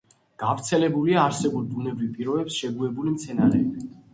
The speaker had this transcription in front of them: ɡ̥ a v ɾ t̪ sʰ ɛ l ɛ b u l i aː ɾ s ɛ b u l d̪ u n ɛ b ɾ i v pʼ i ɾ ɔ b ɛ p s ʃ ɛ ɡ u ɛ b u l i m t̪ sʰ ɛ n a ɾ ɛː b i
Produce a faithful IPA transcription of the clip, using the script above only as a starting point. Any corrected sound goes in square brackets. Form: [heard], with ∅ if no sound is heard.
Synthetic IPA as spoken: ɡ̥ a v ɾ t̪ sʰ ɛ l ɛ b u l i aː ɾ s ɛ b u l d̪ u n ɛ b ɾ i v pʼ i ɾ ɔ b ɛ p s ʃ ɛ ɡ u ɛ b u l i m t̪ sʰ ɛ n a ɾ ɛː b i